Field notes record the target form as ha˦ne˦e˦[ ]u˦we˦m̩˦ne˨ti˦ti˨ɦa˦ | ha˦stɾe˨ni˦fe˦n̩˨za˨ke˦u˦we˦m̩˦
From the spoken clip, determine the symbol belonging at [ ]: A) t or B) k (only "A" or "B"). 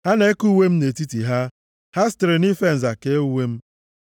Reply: B